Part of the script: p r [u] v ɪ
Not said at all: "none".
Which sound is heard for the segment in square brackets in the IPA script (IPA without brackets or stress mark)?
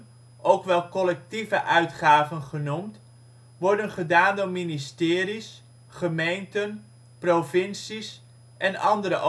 o